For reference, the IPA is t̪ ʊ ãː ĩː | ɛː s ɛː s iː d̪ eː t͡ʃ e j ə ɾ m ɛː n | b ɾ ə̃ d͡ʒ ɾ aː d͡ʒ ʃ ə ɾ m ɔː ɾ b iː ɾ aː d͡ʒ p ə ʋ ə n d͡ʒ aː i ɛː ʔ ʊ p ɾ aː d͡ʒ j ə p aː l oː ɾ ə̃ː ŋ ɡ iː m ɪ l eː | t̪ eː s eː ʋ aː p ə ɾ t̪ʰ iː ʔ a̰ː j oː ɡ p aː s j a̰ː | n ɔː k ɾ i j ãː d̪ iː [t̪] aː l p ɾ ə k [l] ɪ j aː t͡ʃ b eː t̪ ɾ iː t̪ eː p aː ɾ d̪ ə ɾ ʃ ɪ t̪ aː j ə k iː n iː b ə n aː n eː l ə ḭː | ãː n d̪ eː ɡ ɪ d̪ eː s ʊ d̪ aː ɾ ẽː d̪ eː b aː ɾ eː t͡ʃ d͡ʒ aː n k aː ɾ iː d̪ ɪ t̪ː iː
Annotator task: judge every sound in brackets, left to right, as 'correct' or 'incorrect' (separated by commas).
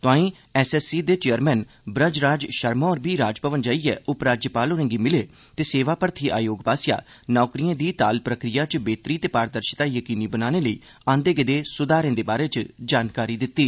correct, incorrect